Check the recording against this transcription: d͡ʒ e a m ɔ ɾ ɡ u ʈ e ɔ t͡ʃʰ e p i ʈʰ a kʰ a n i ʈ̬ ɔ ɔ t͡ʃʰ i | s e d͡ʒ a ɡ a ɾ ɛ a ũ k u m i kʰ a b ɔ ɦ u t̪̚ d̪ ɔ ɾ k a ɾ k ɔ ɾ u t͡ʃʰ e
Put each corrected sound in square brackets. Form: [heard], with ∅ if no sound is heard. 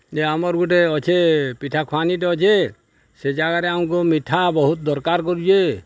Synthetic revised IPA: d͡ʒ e a m ɔ ɾ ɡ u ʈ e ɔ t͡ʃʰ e p i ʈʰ a kʰ a n i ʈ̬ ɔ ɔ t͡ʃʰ [e] | s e d͡ʒ a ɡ a ɾ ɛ a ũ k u m i [ʈʰ] a b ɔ ɦ u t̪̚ d̪ ɔ ɾ k a ɾ k ɔ ɾ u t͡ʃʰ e

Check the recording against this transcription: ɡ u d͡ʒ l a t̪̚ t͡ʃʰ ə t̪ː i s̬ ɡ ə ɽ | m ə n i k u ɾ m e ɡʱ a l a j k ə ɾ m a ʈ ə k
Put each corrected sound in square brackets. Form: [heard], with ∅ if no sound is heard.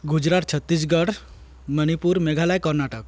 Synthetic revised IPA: ɡ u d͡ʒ [ɾ] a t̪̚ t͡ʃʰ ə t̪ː i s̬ ɡ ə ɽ | m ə n i [p] u ɾ m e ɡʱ a l a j k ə ɾ [n] a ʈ ə k

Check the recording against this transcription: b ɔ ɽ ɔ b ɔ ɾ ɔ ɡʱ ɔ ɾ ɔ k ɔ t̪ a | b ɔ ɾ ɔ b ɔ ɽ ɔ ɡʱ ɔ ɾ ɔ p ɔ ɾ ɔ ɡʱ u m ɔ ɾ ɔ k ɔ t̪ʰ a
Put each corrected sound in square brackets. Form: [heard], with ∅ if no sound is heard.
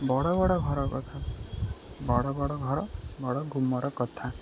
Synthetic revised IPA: b ɔ ɽ ɔ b ɔ [ɽ] ɔ ɡʱ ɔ ɾ ɔ k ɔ [t̪ʰ] a | b ɔ [ɽ] ɔ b ɔ ɽ ɔ ɡʱ ɔ ɾ ɔ [b] ɔ [ɽ] ɔ ɡʱ u m ɔ ɾ ɔ k ɔ t̪ʰ a

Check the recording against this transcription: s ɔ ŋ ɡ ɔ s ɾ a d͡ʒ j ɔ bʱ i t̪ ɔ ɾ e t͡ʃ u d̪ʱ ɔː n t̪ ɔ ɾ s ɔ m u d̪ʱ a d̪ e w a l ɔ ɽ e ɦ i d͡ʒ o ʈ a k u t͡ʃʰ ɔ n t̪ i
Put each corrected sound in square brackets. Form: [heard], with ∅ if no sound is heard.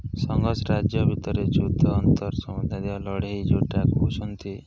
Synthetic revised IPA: s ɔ ŋ ɡ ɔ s ɾ a d͡ʒ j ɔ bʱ i t̪ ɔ ɾ e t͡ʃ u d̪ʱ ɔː n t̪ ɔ ɾ s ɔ m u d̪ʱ a d̪ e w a l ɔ ɽ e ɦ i d͡ʒ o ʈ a k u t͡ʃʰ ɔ n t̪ i

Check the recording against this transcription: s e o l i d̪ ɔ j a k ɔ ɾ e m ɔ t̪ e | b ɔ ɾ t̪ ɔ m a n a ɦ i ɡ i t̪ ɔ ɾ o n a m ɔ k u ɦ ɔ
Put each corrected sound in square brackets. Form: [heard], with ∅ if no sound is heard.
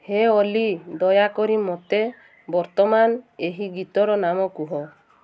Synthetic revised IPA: [h] e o l i d̪ ɔ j a k ɔ ɾ [i] m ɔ t̪ e | b ɔ ɾ t̪ ɔ m a n [e] ɦ i ɡ i t̪ ɔ ɾ [ɔ] n a m ɔ k u ɦ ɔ

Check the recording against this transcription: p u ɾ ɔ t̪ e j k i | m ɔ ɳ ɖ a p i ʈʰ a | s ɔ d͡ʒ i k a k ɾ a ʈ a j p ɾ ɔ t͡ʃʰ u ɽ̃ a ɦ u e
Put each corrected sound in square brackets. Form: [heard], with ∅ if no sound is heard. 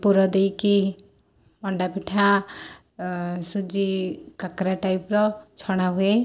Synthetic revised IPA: p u ɾ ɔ [d̪] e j k i | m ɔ ɳ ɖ a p i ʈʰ a | s [u] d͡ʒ i k a k ɾ a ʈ a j p ɾ ɔ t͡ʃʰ [ɔ] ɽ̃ a ɦ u e

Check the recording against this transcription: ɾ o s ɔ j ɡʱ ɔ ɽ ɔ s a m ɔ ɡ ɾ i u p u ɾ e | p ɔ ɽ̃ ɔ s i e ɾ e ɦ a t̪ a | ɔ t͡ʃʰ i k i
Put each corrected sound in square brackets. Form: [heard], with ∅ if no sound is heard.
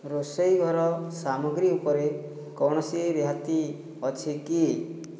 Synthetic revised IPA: ɾ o s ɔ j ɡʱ ɔ [ɾ] ɔ s a m ɔ ɡ ɾ i u p [ɔ] ɾ e | [k] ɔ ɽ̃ ɔ s i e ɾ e ɦ a t̪ [i] | ɔ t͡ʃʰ i k i

